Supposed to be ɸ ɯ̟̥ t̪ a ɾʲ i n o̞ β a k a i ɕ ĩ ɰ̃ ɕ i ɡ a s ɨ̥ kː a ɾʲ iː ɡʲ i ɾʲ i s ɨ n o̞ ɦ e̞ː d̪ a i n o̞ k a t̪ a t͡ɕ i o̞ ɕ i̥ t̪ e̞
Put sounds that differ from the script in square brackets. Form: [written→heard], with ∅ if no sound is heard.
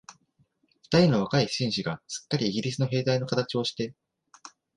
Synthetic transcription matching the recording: ɸ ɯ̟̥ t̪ a ɾʲ i n o̞ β a k a i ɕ ĩ ɰ̃ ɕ i ɡ a s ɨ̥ kː a ɾʲ iː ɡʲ i ɾʲ i s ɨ n o̞ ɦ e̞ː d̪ a i n o̞ k a t̪ a t͡ɕ i o̞ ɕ i̥ t̪ e̞